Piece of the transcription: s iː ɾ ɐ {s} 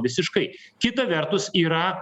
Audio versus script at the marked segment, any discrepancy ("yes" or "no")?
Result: yes